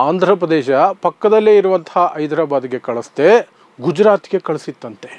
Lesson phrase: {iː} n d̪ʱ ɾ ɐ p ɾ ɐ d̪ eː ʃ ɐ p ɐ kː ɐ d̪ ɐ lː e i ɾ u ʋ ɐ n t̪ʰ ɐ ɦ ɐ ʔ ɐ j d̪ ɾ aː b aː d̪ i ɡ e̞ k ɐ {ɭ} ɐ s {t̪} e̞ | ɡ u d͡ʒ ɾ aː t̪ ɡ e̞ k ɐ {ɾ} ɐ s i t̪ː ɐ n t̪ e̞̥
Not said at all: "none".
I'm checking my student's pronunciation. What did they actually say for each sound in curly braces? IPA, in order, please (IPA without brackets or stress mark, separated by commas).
aː, ɭ, t̪, ɭ